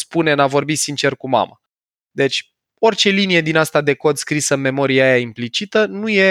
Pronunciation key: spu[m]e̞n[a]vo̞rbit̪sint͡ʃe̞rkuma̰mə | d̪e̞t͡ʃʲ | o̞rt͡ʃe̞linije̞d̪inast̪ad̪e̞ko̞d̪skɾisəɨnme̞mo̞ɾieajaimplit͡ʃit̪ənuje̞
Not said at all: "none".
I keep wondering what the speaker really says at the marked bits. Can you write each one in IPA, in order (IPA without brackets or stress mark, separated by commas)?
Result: n, a